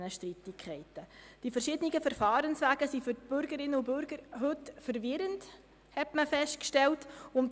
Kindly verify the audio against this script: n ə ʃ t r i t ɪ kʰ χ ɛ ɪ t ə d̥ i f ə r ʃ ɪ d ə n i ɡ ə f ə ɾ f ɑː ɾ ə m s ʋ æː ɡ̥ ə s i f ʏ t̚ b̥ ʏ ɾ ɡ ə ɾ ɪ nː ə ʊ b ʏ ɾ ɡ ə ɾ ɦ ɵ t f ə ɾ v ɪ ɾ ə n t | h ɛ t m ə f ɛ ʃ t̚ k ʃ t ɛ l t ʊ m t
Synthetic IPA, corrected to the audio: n ə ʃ t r i t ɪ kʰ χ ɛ ɪ t ə d̥ i f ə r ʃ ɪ d ə n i ɡ ə f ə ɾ f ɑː ɾ ə n s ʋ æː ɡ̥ ə s i f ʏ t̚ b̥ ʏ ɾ ɡ ə ɾ ɪ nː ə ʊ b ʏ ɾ ɡ ə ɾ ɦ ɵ t f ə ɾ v ɪ ɾ ə n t | h ɛ t m ə f ɛ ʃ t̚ k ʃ t ɛ l t ʊ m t